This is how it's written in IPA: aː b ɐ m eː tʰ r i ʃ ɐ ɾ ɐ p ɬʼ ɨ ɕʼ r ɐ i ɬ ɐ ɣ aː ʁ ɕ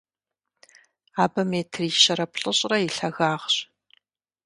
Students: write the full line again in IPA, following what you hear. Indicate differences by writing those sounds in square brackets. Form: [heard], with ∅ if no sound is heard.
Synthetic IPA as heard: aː b ɐ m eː tʰ r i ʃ ɐ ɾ ɐ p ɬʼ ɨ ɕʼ r ɐ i ɬ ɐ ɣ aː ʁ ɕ